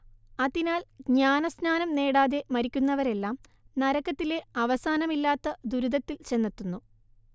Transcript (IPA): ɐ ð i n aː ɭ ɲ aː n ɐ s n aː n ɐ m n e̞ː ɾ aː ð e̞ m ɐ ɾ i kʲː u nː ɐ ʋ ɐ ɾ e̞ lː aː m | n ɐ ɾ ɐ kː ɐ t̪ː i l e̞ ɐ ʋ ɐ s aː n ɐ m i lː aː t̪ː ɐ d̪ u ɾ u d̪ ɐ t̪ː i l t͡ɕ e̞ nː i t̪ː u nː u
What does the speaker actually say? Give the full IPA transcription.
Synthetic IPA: ɐ ð i n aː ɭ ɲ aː n ɐ s n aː n ɐ m n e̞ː ɽ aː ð e̞ m ɐ ɾ i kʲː u nː ɐ ʋ ɐ ɾ e̞ lː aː m | n ɐ ɾ ɐ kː ɐ t̪ː i l e̞ ɐ ʋ ɐ s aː n ɐ m i lː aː t̪ː ɐ d̪ u ɾ u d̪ ɐ t̪ː i l t͡ɕ e̞ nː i t̪ː u nː u

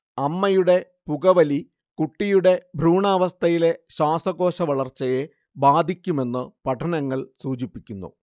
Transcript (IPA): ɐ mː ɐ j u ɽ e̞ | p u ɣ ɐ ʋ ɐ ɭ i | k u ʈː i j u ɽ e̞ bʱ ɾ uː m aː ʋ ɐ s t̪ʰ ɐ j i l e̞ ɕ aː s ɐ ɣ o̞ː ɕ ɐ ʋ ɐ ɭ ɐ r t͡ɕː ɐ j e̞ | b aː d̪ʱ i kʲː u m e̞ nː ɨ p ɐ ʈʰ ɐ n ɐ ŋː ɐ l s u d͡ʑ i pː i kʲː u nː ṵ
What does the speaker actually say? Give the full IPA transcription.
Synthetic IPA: ɐ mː ɐ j u ɽ e̞ | p u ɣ ɐ ʋ ɐ l i | k u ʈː i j u ɽ e̞ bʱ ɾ uː ɳ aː ʋ ɐ s t̪ʰ ɐ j i l e̞ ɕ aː s ɐ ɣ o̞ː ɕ ɐ ʋ ɐ ɭ ɐ r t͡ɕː ɐ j e̞ | b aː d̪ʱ i kʲː u m e̞ nː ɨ p ɐ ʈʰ ɐ n ɐ ŋː ɐ ɭ s uː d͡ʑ i pː i kʲː u nː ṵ

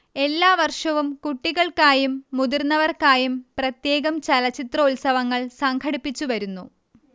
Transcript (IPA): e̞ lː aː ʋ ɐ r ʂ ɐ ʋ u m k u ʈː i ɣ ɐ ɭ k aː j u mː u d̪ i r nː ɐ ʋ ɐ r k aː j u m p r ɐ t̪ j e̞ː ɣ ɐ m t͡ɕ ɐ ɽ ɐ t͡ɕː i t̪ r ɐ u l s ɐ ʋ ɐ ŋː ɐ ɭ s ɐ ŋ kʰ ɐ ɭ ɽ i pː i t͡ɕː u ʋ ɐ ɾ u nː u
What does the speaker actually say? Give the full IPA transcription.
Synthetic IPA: e̞ lː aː ʋ ɐ r ʂ ɐ ʋ u m k u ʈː i ɣ ɐ ɭ k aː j u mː u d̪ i r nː ɐ ʋ ɐ r k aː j u m p r ɐ t̪ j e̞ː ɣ ɐ m t͡ɕ ɐ l ɐ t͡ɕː i t̪ r ɐ u l s ɐ ʋ ɐ ŋː ɐ ɭ s ɐ ŋ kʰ ɐ ɽ i pː i t͡ɕː u ʋ ɐ ɾ u nː u

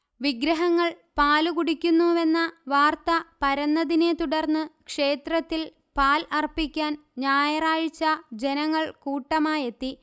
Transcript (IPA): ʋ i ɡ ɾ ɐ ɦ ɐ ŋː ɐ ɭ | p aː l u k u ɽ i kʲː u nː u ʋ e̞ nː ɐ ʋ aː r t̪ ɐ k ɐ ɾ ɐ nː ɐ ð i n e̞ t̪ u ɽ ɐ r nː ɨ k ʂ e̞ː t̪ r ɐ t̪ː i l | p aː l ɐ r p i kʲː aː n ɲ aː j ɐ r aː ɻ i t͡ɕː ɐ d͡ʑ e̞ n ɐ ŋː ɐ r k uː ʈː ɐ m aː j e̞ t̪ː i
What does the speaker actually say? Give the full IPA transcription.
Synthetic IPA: ʋ i ɡ ɾ ɐ ɦ ɐ ŋː ɐ ɭ | p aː l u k u ɽ i kʲː u nː u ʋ e̞ nː ɐ ʋ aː r t̪ ɐ p ɐ ɾ ɐ nː ɐ ð i n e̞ t̪ u ɽ ɐ r nː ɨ k ʂ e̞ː t̪ r ɐ t̪ː i l | p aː l ɐ r p i kʲː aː n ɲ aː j ɐ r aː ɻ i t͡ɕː ɐ d͡ʑ e̞ n ɐ ŋː ɐ ɭ k uː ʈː ɐ m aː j e̞ t̪ː i

